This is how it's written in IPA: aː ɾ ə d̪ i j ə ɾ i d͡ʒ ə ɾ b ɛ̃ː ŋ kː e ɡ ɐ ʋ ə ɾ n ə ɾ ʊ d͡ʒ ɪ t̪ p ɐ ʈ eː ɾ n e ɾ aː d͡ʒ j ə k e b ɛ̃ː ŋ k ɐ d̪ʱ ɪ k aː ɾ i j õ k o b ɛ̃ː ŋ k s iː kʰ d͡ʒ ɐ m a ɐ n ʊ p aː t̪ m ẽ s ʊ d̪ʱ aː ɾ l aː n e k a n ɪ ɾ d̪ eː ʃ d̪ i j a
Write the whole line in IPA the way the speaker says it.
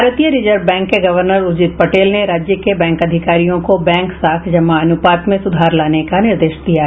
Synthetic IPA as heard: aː ɾ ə t̪ i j ə ɾ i d͡ʒ ə ɾ b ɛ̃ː ŋ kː e ɡ ɐ ʋ ə ɾ n ə ɾ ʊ d͡ʒ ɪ t̪ p ɐ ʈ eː l n e ɾ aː d͡ʒ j ə k e b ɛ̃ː ŋ k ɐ d̪ʱ ɪ k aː ɾ i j õ k o b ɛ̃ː ŋ k s aː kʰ d͡ʒ ɐ m a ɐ n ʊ p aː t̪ m ẽ s ʊ d̪ʱ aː ɾ l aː n e k a n ɪ ɾ d̪ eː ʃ d̪ i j a